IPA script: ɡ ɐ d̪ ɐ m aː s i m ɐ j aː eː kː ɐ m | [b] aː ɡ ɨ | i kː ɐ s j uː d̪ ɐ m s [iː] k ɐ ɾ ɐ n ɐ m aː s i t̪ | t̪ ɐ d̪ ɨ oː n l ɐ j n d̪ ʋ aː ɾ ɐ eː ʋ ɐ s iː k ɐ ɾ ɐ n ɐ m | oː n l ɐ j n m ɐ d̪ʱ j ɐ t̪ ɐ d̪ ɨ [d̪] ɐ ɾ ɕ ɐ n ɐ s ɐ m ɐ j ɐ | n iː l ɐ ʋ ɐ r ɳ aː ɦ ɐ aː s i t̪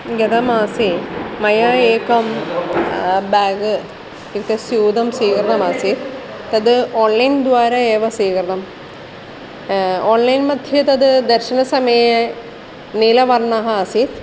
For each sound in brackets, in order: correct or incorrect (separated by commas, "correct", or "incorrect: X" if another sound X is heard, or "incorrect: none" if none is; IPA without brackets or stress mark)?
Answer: correct, correct, correct